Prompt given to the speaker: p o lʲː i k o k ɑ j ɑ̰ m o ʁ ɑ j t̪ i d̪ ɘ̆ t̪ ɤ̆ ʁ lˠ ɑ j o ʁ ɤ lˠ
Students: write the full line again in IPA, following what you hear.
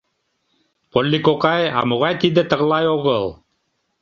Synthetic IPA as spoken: p o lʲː i k o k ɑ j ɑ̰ m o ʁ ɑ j t̪ i d̪ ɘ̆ t̪ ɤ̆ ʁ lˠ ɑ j o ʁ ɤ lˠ